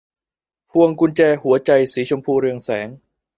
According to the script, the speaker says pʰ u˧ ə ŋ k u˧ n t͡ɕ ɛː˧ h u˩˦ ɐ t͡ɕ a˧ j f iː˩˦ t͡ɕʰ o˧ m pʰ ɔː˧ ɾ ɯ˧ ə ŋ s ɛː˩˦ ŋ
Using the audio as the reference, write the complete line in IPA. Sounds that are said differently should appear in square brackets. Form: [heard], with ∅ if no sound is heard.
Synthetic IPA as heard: pʰ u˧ ə ŋ k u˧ n t͡ɕ ɛː˧ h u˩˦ ɐ t͡ɕ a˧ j [s] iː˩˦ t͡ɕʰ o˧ m pʰ [uː˧] ɾ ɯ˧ ə ŋ s ɛː˩˦ ŋ